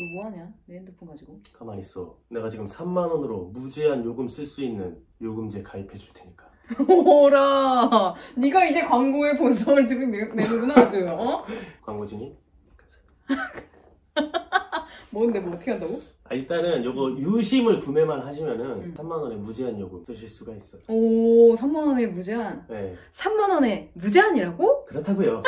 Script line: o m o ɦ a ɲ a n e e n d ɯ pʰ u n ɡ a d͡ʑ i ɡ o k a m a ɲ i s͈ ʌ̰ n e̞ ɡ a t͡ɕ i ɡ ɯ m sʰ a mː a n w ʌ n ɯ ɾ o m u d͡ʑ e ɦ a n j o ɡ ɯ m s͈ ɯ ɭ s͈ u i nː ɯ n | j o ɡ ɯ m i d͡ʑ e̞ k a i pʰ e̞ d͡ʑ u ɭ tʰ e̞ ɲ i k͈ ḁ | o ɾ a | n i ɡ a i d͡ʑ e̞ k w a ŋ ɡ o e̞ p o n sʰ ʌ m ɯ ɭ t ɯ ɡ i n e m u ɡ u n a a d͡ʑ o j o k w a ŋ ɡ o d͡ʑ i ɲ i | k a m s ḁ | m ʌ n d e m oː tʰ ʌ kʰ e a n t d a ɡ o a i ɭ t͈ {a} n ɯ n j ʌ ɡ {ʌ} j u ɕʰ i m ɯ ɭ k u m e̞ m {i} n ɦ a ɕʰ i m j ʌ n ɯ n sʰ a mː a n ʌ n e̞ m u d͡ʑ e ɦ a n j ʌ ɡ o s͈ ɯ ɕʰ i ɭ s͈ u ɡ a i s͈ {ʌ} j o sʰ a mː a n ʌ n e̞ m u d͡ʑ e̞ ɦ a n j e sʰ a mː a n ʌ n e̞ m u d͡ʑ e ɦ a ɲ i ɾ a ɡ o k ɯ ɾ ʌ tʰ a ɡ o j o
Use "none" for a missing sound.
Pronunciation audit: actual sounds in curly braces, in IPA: a, ʌ, a, ʌ

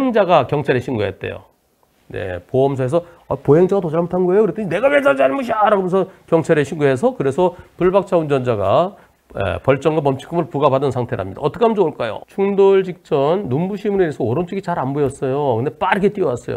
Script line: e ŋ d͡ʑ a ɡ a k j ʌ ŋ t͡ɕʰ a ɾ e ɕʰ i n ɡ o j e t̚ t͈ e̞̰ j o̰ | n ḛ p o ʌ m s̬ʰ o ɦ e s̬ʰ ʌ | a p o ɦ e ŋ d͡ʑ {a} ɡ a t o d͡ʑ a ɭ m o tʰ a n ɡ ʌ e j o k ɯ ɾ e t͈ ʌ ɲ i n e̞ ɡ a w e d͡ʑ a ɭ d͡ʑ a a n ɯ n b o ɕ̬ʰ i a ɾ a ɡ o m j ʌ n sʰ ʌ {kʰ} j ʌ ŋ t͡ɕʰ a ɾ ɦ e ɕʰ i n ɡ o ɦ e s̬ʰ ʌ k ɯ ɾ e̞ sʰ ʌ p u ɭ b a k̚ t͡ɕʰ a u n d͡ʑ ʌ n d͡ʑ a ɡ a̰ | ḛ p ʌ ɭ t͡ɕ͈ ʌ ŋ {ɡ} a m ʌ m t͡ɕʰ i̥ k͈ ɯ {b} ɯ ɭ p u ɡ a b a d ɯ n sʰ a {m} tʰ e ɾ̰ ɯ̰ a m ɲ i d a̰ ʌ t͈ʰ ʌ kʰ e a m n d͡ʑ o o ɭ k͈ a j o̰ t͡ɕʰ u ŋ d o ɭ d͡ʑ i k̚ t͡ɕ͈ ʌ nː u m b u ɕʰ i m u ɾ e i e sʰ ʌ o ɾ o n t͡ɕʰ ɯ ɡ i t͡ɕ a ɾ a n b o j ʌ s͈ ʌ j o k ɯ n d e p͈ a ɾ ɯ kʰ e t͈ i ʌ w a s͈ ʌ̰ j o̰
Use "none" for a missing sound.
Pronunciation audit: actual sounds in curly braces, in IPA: a, k, ɡ, m, ŋ

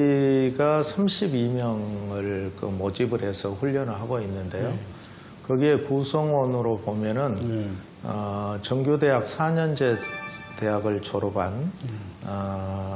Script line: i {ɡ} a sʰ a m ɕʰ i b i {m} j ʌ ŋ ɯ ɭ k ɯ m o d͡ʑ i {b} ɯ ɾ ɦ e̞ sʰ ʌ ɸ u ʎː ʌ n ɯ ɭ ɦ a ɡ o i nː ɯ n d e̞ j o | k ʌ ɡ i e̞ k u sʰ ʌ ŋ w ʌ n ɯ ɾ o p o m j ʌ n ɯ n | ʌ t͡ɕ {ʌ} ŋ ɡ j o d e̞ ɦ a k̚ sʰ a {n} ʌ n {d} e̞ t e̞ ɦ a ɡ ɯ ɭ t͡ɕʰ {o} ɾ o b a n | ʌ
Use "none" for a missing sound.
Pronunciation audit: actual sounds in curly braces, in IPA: ɡ, m, b, ʌ, ɲ, d͡ʑ, o

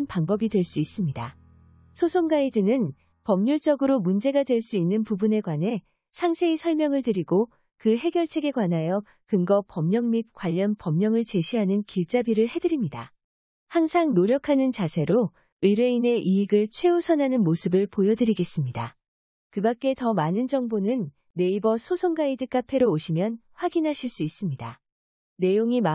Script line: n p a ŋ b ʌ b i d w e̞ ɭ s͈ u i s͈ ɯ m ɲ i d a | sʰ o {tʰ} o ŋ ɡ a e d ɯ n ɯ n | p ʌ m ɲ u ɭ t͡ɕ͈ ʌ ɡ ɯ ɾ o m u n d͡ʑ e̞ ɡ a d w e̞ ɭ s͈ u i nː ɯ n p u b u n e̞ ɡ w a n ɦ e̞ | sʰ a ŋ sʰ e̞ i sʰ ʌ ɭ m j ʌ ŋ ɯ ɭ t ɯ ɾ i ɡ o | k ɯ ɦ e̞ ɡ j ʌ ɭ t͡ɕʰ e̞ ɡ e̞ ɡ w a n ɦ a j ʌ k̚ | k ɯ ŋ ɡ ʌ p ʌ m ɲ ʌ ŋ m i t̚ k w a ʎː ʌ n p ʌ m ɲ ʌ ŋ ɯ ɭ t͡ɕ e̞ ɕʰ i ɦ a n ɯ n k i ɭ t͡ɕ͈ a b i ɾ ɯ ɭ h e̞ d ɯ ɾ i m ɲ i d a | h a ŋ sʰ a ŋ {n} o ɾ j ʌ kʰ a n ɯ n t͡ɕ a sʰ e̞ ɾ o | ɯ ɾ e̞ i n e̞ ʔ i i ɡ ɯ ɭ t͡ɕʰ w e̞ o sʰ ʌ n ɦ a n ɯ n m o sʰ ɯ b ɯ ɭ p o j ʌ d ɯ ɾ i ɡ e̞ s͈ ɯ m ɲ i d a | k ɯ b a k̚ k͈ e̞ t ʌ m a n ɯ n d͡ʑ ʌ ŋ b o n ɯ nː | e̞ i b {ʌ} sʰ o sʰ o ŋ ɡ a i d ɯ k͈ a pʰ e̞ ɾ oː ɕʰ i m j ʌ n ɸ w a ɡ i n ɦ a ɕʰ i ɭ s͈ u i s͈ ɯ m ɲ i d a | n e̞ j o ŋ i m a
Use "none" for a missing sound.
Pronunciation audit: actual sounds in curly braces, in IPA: sʰ, n, ʌ

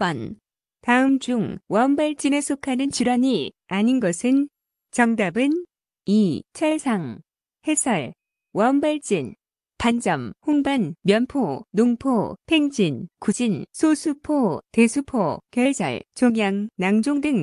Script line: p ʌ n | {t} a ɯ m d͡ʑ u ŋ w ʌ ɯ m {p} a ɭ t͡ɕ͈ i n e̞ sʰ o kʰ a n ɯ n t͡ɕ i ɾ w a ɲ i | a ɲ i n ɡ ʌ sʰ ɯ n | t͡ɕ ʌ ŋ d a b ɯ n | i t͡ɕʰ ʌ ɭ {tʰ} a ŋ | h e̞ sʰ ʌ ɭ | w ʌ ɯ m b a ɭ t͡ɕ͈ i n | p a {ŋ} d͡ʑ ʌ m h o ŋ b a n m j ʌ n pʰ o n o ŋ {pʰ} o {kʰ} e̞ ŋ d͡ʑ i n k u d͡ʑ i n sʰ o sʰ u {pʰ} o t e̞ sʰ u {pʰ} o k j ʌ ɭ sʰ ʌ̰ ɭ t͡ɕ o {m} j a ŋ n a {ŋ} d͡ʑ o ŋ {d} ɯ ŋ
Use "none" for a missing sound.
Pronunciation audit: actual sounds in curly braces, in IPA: t, b, sʰ, n, pʰ, pʰ, pʰ, pʰ, ŋ, ŋ, d

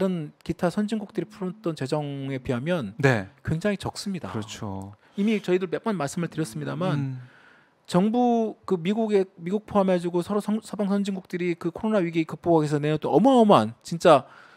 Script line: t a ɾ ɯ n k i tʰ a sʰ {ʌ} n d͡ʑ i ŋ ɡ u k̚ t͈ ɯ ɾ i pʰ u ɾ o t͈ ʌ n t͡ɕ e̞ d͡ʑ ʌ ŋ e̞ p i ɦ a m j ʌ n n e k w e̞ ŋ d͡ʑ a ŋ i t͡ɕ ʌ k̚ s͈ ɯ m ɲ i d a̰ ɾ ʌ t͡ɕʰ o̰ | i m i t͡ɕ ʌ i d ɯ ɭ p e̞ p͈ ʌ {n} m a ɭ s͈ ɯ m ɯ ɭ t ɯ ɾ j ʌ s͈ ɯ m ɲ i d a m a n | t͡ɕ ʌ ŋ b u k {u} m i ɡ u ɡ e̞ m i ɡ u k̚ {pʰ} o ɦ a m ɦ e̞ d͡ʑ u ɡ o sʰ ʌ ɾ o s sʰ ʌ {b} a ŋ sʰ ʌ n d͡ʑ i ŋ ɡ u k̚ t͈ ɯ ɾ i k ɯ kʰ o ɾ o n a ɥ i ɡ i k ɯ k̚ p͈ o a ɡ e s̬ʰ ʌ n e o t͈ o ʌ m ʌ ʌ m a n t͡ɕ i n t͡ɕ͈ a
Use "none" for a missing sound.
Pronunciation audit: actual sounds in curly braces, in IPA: ʌ, n, ɯ, pʰ, b

